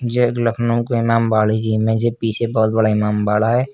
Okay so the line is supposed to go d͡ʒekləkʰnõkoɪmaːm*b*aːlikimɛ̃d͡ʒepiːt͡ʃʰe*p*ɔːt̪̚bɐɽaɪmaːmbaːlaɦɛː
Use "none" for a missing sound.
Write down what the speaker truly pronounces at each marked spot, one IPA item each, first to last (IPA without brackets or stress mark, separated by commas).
b, b